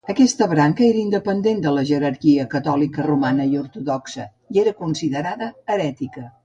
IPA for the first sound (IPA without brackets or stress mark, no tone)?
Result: ə